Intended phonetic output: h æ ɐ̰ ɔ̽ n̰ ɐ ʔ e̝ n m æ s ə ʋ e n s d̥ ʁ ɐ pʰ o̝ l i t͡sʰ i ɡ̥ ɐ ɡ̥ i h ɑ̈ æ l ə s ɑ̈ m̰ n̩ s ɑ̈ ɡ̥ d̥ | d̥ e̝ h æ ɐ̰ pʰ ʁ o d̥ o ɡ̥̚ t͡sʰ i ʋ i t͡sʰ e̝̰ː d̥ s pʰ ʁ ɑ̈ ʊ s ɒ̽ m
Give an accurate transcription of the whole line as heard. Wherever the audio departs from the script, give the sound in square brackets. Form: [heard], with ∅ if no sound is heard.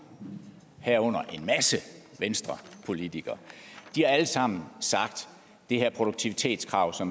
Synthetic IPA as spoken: h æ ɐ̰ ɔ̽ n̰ ɐ ʔ e̝ n m æ s ə ʋ e n s d̥ ʁ ɐ pʰ o̝ l i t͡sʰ i ɡ̥ ɐ [d̥] i h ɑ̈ æ l ə s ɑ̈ m̰ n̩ s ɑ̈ ɡ̥ d̥ | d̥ e̝ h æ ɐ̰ pʰ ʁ o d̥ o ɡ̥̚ t͡sʰ i ʋ i t͡sʰ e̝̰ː d̥ s [kʰ] ʁ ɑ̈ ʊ s ɒ̽ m